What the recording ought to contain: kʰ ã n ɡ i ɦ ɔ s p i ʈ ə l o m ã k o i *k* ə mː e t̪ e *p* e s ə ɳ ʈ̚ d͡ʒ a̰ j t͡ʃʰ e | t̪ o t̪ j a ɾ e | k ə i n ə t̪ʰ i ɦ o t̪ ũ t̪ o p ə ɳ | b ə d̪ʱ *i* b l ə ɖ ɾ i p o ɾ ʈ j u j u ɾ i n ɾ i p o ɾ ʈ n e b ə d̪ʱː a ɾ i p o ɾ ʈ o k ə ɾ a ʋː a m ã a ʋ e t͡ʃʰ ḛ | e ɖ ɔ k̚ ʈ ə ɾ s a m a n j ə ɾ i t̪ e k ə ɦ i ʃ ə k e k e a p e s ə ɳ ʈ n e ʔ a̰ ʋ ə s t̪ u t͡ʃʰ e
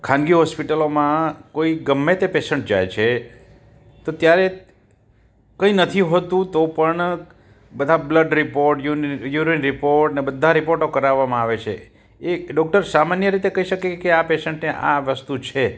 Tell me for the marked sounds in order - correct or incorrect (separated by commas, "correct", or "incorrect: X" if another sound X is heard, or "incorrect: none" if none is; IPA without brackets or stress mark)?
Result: incorrect: ɡ, correct, incorrect: a